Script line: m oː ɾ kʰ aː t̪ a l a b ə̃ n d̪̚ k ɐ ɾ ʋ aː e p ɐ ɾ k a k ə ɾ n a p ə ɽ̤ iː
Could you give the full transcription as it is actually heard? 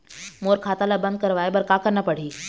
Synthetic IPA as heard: m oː ɾ kʰ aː t̪ a l a b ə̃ n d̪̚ k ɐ ɾ ʋ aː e b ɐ ɾ k a k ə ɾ n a p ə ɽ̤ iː